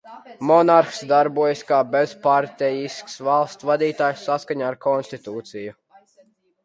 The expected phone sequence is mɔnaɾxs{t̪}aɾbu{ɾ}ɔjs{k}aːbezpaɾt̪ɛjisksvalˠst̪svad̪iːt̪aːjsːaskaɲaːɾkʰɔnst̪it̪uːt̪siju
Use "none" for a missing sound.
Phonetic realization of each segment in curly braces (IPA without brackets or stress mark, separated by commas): d̪, none, k